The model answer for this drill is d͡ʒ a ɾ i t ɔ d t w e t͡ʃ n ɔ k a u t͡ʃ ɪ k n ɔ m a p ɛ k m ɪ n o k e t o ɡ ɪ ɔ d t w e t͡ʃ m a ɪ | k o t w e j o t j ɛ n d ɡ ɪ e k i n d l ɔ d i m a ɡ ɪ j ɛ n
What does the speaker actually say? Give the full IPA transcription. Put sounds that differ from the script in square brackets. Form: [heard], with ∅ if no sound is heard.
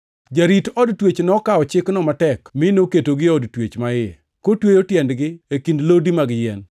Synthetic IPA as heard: d͡ʒ a ɾ i t ɔ d t w e t͡ʃ n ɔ k a [ɔ] t͡ʃ ɪ k n ɔ m a [t] ɛ k m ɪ n o k e t o ɡ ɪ ɔ d t w e t͡ʃ m a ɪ | k o t w e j o t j ɛ n d ɡ ɪ e k i n d l [o] d i m a ɡ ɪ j ɛ n